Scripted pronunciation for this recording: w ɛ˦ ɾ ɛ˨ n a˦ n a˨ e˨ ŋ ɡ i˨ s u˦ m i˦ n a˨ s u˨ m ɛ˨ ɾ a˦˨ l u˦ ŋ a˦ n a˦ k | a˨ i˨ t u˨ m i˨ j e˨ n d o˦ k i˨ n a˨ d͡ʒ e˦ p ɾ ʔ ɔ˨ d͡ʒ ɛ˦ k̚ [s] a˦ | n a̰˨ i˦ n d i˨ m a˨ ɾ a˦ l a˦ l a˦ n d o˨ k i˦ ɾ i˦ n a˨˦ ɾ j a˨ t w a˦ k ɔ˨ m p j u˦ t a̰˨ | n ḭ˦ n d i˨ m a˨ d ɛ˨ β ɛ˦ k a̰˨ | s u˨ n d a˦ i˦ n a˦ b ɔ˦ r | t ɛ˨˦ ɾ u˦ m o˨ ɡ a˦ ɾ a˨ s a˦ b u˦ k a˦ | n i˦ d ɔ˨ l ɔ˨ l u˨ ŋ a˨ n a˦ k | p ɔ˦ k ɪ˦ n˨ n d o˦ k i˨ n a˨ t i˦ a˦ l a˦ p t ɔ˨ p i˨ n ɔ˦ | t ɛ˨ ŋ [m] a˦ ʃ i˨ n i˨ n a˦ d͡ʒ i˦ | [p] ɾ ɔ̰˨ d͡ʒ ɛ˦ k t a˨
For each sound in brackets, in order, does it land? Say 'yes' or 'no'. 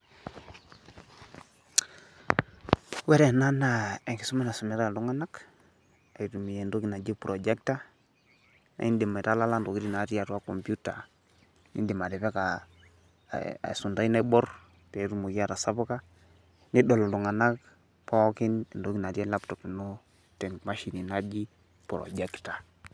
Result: no, yes, yes

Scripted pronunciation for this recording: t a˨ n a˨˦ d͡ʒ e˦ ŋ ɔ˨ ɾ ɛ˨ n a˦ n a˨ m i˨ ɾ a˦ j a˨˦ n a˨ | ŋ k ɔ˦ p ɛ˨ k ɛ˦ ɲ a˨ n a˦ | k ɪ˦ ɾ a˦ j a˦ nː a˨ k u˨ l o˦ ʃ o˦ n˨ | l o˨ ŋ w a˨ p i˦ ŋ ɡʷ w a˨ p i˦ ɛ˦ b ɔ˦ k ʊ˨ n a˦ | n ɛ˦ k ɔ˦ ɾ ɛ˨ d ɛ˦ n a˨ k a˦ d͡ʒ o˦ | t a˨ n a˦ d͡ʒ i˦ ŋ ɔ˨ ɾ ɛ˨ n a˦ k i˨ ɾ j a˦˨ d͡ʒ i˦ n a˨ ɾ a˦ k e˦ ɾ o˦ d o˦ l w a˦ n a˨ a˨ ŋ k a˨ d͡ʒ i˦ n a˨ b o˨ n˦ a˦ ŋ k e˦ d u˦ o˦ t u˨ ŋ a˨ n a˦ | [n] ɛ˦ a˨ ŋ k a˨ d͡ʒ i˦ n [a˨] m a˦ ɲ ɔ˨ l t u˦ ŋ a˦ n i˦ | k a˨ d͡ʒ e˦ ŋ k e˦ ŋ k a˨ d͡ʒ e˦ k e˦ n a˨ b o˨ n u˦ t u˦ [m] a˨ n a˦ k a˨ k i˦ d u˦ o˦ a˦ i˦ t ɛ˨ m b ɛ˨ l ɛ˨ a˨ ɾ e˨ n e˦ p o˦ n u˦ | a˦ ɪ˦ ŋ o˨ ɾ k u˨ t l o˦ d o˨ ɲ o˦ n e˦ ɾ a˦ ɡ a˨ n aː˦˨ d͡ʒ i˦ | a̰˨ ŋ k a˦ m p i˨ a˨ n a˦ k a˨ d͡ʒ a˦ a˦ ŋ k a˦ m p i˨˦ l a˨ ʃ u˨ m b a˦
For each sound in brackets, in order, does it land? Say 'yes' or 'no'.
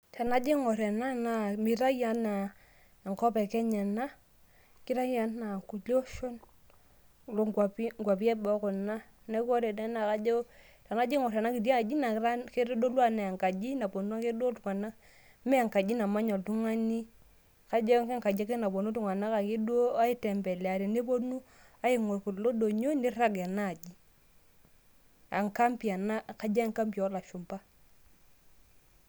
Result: no, yes, no

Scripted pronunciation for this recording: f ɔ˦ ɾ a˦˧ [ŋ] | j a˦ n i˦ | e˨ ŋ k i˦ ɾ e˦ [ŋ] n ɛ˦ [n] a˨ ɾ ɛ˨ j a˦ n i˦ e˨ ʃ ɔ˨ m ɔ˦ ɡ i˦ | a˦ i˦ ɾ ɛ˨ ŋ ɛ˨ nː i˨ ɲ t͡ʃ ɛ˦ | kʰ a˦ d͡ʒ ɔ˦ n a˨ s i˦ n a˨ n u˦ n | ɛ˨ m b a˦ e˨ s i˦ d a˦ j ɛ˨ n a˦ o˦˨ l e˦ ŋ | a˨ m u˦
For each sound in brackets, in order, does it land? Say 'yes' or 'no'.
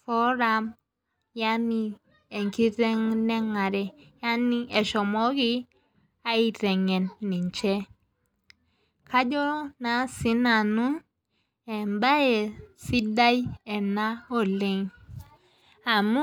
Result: no, yes, no

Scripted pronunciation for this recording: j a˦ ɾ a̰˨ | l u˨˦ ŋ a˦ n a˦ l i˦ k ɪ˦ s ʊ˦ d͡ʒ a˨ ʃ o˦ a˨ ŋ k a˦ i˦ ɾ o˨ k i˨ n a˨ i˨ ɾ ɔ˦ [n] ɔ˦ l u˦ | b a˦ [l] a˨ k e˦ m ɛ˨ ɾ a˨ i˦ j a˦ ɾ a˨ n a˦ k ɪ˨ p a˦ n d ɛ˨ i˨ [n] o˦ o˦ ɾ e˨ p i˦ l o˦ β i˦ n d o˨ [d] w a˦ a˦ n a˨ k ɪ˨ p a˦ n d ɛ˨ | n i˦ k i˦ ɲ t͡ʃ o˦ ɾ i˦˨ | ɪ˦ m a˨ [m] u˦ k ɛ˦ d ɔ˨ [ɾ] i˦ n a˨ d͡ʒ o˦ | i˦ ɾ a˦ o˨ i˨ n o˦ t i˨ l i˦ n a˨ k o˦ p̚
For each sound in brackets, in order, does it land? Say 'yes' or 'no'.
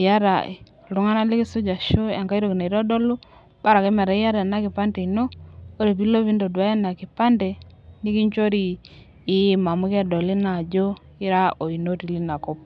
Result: no, no, yes, yes, yes, no

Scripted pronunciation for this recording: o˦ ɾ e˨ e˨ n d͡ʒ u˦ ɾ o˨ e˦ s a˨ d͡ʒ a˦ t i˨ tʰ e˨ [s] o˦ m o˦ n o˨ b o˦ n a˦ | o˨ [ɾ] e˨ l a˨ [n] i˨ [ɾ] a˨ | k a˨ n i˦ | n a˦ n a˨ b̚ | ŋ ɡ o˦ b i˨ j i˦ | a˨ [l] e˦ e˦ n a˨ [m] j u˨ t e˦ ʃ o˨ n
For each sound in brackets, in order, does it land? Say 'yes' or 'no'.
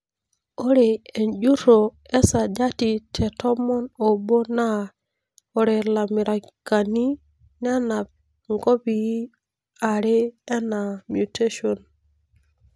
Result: no, yes, no, yes, no, yes

